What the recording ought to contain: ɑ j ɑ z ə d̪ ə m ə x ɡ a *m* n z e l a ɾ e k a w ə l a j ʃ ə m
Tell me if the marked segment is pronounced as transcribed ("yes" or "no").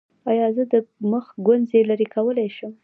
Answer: no